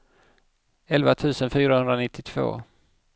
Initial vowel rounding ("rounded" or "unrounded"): unrounded